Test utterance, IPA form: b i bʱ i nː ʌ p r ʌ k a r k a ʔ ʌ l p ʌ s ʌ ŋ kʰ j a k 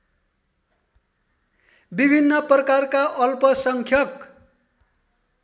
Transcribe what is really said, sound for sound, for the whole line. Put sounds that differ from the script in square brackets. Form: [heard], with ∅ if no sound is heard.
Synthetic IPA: b i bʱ i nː ʌ p r ʌ k a r k a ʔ ʌ l p ʌ s ʌ ŋ kʰ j [ʌ] k